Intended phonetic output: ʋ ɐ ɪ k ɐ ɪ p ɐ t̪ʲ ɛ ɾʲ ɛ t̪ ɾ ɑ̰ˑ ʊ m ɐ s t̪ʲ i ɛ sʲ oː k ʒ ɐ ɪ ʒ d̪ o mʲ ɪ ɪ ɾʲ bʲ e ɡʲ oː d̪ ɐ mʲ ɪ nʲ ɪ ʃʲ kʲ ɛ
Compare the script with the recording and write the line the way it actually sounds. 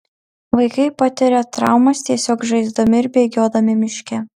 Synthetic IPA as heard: ʋ ɐ ɪ k ɐ ɪ p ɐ t̪ʲ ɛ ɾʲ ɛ t̪ ɾ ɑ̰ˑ ʊ m ɐ s t̪ʲ i ɛ sʲ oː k ʒ ɐ ɪ z d̪ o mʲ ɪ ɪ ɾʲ bʲ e ɡʲ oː d̪ ɐ mʲ ɪ mʲ ɪ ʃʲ kʲ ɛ